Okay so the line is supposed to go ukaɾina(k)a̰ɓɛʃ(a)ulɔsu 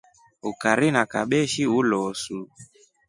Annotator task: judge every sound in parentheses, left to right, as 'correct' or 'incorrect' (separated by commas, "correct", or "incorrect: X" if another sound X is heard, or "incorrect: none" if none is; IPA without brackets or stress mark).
correct, incorrect: i